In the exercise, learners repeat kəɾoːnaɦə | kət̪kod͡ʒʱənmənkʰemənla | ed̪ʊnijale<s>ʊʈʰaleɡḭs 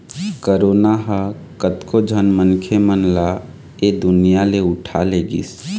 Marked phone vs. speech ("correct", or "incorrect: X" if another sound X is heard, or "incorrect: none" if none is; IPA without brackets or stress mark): incorrect: none